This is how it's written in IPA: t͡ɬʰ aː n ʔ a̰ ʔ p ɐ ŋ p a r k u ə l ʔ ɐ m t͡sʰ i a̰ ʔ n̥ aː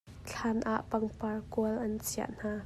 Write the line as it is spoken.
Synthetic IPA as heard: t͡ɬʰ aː n ʔ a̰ ʔ p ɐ ŋ p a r k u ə l ʔ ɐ n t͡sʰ i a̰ ʔ n̥ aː